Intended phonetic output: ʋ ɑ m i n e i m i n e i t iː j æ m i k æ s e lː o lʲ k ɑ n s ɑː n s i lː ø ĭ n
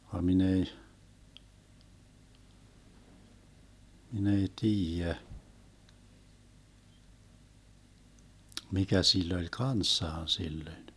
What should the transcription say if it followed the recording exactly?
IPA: ʋ ɑ m i n e i m i n e i t iː j æ m i k æ s i lː o lʲ k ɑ n sː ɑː n s i lː ø ĭ n